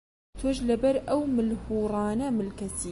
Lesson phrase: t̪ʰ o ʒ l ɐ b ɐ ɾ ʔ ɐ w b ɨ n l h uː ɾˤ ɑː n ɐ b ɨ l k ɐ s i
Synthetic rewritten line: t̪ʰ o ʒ l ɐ b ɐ ɾ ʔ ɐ w m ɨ l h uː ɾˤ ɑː n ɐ m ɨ l k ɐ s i